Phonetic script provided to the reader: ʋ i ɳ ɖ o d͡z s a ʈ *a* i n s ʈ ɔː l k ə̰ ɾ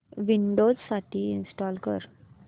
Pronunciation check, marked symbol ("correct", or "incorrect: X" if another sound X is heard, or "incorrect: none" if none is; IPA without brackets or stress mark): incorrect: i